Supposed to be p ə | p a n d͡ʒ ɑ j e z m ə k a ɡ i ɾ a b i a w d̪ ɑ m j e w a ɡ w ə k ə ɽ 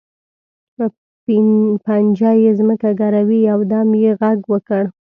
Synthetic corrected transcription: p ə | p a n d͡ʒ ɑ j e z m ə k a ɡ a ɾ a w i a w d̪ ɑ m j e ɣ a ɡ w ə k ə ɽ

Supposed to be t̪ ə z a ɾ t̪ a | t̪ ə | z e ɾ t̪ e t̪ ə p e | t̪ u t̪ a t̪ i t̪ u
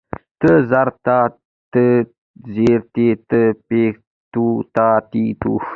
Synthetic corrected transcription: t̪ ə z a ɾ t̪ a | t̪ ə | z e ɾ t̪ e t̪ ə p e | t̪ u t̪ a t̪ i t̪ u

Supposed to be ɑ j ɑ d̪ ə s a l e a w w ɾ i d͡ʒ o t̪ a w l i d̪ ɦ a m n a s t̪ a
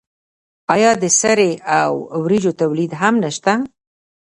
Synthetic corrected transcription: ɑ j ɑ d̪ ə s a ɾ e a w w ɾ i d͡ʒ o t̪ a w l i d̪ ɦ a m n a ʃ t̪ a

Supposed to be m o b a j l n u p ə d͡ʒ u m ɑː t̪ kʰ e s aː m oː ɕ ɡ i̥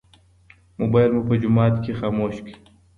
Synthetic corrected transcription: m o b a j l m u p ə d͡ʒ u m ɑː t̪ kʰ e x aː m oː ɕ k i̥

